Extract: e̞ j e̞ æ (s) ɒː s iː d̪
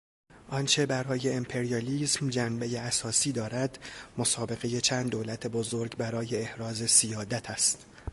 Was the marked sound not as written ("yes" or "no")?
no